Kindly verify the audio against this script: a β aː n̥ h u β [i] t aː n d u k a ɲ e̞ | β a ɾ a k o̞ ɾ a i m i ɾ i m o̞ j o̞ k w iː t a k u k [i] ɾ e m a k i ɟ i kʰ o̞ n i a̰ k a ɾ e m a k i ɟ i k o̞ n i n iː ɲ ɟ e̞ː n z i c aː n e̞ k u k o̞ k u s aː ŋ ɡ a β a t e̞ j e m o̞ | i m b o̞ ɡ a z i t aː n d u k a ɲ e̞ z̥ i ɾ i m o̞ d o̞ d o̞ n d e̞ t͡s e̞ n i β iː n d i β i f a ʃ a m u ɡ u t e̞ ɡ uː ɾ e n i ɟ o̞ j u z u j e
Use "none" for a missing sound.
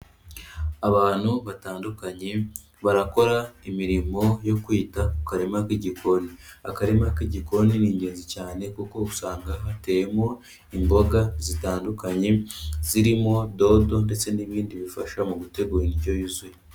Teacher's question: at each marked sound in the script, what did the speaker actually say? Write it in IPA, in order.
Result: a, a

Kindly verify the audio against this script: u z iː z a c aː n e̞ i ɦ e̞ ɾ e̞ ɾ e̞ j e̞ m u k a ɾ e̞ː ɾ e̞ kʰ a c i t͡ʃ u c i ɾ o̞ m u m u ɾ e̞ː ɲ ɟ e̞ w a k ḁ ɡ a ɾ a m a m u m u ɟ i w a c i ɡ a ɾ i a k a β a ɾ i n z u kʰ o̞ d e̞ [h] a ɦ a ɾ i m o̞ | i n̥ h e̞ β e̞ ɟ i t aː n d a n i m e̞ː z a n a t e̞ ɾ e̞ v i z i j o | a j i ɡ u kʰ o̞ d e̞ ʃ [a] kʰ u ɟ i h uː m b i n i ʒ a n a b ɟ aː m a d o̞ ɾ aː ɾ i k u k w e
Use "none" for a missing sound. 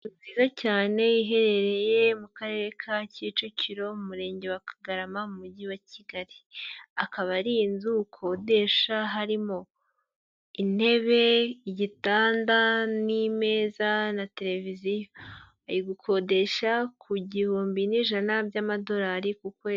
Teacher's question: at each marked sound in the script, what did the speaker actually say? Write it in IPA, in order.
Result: ʃ, a

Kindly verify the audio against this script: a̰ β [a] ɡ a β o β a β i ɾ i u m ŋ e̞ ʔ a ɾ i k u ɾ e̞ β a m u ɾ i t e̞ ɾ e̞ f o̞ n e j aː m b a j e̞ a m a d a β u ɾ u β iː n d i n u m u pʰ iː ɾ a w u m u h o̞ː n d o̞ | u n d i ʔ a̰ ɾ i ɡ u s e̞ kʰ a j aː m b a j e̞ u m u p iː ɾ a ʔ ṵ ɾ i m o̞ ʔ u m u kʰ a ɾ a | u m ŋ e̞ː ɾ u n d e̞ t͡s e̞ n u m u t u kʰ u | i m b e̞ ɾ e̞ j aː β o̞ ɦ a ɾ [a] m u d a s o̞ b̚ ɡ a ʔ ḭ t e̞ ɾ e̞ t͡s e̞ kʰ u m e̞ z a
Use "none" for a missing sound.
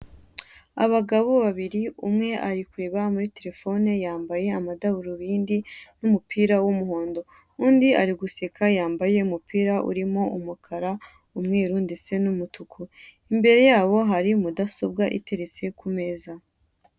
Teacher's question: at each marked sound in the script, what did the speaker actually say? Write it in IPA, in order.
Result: a, i

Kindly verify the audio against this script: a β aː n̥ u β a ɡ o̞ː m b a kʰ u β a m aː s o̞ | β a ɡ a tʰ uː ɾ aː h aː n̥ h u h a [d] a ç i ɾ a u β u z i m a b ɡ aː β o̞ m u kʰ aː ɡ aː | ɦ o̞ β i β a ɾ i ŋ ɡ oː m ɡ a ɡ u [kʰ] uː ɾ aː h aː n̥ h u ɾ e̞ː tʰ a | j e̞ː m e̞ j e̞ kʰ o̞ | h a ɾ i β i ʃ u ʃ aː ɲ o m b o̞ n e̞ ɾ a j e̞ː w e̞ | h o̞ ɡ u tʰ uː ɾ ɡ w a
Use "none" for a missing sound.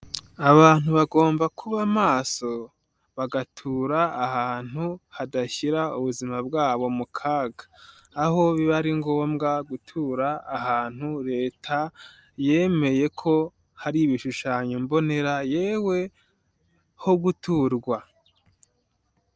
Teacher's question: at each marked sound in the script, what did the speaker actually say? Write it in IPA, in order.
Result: d, tʰ

